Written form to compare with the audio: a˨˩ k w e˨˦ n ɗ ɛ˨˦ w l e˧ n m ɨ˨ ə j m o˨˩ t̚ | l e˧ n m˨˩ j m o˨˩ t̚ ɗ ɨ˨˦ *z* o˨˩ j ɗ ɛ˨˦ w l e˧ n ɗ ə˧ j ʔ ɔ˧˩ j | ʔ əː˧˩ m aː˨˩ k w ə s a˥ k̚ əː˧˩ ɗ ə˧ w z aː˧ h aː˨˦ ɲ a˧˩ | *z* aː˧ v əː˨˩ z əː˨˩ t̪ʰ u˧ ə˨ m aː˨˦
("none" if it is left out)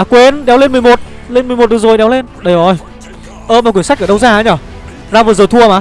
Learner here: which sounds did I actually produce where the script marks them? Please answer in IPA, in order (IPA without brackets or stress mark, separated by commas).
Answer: z, z